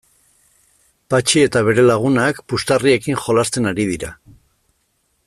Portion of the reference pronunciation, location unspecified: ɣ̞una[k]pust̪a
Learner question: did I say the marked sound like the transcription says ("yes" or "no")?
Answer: yes